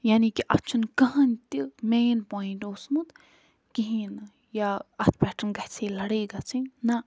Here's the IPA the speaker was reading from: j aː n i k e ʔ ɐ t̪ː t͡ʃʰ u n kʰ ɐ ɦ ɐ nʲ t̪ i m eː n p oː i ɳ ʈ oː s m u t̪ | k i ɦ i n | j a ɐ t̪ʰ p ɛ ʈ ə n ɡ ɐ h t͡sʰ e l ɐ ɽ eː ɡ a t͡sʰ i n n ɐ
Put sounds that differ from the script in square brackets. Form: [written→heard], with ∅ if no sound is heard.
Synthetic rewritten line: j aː n i k [e→i] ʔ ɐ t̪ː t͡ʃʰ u n [kʰ→k] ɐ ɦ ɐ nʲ t̪ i m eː n p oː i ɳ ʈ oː s m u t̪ | k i ɦ i n | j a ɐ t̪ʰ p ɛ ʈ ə n ɡ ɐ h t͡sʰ e l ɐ ɽ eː ɡ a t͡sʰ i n n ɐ